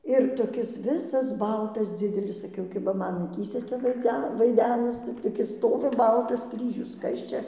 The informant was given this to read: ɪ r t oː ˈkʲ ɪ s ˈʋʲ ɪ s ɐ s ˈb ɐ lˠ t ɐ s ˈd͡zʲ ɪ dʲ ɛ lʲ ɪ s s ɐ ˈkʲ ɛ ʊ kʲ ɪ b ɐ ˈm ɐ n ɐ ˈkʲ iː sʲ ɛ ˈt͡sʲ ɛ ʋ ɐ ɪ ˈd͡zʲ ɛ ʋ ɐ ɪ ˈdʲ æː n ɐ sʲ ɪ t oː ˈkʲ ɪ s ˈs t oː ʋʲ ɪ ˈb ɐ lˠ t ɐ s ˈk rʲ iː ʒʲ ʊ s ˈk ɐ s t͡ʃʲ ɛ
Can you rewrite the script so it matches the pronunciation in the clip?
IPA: ɪ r t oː ˈkʲ ɪ s ˈʋʲ ɪ s ɐ s ˈb ɐ lˠ t ɐ s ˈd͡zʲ ɪ dʲ ɛ lʲ ɪ s s ɐ ˈkʲ ɛ ʊ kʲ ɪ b ɐ ˈm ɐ n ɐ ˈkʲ iː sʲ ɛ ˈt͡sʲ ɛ ʋ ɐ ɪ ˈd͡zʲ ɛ ʋ ɐ ɪ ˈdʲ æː n ɐ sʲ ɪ t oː ˈkʲ ɪ s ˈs t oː ʋʲ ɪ ˈb ɐ lˠ t ɐ s ˈk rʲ iː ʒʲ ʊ s ˈk ɐ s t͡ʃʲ ɛ